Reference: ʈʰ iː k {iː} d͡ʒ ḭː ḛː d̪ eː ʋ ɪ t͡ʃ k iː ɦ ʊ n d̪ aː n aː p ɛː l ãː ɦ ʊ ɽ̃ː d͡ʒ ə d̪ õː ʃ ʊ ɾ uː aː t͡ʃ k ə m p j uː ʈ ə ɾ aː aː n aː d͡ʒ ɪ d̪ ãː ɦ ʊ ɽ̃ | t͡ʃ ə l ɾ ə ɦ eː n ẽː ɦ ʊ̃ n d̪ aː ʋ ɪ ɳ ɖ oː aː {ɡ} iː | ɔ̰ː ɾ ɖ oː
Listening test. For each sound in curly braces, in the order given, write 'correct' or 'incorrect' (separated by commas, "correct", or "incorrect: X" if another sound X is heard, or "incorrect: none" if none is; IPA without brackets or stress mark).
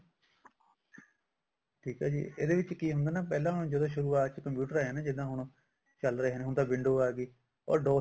incorrect: aː, correct